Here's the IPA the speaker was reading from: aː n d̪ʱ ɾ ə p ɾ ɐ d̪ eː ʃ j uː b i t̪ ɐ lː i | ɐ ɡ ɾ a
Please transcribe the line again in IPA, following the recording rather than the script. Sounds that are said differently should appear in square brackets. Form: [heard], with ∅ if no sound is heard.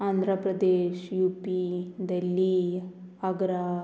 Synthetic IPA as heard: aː n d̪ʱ ɾ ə p ɾ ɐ d̪ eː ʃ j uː [p] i [d̪] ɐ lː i | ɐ ɡ ɾ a